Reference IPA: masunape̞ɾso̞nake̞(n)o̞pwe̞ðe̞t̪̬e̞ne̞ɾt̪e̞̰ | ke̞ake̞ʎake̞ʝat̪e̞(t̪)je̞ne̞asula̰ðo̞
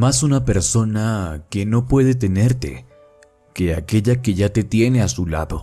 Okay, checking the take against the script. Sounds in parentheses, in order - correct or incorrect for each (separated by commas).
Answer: correct, correct